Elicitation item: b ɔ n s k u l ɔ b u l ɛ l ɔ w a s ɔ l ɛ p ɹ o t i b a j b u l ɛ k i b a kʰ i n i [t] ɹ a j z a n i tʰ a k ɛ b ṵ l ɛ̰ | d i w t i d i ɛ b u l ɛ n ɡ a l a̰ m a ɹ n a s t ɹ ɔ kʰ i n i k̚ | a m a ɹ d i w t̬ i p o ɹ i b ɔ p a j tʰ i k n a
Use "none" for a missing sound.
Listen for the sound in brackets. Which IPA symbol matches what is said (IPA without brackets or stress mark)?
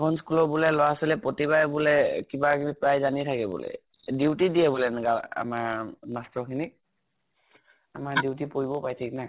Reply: p